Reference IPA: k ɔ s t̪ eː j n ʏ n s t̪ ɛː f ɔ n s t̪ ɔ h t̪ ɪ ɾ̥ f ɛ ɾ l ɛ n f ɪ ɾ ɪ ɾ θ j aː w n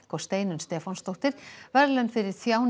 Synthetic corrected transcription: k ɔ s t̪ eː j n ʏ n s t̪ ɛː f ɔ n s t̪ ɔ h t̪ ɪ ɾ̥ v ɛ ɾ l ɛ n f ɪ ɾ ɪ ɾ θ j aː w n